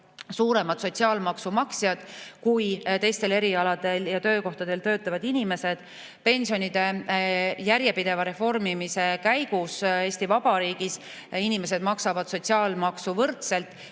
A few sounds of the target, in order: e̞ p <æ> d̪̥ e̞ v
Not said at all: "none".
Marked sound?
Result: i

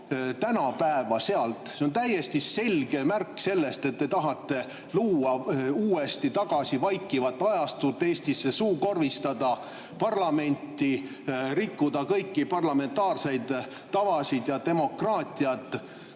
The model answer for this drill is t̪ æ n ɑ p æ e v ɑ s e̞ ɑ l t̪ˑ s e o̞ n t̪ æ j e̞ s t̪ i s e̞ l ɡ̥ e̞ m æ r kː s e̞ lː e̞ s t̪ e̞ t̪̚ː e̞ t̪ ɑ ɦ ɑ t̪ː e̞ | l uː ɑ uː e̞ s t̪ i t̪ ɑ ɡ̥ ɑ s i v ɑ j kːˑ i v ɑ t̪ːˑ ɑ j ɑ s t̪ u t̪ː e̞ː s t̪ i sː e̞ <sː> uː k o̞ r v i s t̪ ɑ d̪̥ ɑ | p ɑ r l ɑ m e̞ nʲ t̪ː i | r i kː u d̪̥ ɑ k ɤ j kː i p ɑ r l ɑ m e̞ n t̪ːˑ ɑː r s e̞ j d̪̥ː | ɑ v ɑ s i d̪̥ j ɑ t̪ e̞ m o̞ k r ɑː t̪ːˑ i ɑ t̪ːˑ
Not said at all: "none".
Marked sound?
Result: s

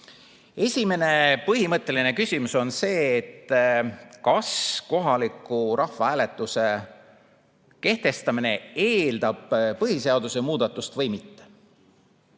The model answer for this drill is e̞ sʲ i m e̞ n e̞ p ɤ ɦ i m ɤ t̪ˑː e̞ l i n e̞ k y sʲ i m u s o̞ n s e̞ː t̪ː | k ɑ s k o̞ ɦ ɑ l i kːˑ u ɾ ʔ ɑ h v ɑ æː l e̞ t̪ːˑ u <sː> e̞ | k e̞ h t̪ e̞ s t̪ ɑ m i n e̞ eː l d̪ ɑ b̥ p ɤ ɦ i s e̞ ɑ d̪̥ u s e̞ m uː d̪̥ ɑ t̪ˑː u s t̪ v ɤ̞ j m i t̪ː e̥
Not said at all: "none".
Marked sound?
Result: s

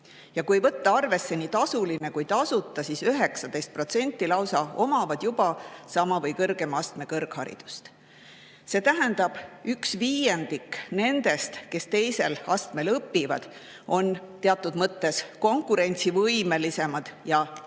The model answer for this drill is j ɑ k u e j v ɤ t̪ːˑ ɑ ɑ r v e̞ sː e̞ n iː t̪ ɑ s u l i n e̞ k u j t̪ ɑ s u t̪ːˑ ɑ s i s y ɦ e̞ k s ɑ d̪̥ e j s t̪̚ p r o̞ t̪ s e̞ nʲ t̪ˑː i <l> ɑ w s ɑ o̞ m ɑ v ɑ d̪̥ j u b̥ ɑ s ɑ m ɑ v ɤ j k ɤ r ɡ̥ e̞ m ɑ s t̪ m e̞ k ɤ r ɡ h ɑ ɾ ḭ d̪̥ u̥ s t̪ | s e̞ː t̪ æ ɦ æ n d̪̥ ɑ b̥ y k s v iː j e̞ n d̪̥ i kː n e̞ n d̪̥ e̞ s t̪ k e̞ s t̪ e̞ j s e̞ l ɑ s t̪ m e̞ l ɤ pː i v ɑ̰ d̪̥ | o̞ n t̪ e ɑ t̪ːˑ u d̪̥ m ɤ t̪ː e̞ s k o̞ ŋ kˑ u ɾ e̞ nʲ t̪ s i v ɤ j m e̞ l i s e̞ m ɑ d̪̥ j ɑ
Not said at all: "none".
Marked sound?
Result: l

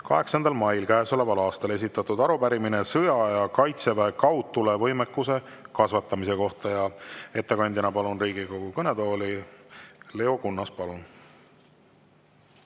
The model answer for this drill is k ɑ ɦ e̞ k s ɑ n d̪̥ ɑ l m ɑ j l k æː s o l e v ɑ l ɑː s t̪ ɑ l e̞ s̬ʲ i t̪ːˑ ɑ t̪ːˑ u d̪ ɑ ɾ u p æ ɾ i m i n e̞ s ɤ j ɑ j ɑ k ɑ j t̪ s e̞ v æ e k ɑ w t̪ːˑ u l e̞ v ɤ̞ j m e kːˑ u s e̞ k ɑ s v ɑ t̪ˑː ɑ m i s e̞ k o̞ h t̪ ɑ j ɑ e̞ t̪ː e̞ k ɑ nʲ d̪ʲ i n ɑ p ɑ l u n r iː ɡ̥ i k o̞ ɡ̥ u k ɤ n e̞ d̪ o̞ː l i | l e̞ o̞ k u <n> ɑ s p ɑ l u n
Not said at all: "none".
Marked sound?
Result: nː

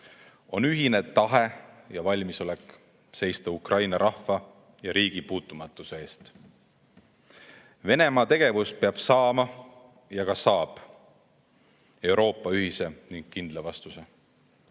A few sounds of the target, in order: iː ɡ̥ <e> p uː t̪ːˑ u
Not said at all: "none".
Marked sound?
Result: i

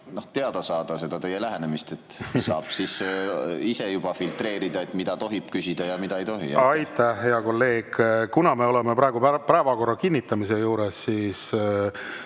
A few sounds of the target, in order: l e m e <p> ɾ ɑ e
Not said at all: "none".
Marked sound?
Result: p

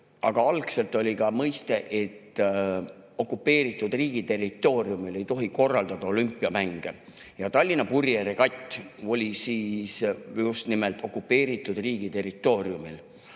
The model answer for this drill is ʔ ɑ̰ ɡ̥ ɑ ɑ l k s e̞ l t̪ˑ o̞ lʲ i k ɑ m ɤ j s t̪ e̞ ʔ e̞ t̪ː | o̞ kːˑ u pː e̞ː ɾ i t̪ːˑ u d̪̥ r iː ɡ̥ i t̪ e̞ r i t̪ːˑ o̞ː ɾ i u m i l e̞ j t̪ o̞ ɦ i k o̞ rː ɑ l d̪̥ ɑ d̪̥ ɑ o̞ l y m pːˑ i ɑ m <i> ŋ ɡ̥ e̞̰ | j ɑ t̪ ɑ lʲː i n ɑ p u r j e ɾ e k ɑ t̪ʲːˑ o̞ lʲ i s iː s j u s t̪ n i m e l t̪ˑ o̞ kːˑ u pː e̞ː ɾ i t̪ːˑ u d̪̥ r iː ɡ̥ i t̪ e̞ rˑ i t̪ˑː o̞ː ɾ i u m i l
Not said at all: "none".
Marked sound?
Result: æ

